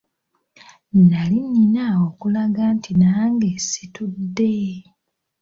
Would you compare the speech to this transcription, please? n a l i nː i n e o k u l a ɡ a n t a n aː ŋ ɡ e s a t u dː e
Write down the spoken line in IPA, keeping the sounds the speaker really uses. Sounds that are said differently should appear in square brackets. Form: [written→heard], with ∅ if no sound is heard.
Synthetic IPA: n a l i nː i n [e→a] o k u l a ɡ a n t [a→i] n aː ŋ ɡ e s [a→i] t u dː e